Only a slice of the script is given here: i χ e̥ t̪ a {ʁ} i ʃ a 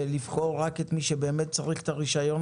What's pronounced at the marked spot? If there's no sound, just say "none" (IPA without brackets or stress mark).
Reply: ʁ